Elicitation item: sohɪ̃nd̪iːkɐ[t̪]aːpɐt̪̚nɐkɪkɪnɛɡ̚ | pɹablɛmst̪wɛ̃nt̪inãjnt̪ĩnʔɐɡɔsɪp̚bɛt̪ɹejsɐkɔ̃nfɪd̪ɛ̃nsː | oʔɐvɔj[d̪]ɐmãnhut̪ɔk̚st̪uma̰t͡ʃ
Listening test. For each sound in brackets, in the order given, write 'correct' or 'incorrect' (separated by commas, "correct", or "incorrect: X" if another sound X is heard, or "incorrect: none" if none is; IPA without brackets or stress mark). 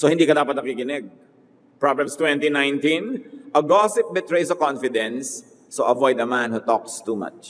incorrect: d̪, correct